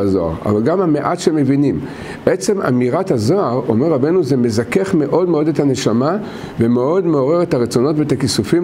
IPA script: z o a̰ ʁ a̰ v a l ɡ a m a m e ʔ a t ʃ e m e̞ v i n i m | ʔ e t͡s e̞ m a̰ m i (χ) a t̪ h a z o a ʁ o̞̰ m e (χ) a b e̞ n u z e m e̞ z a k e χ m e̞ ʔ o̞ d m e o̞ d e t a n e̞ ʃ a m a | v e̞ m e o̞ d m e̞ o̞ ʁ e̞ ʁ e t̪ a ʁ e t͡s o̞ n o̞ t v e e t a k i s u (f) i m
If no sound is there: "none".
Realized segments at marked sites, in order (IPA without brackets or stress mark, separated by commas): ʁ, ʁ, f